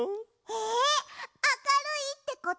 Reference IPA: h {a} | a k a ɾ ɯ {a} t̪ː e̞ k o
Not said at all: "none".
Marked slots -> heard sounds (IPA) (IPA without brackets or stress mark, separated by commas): e, i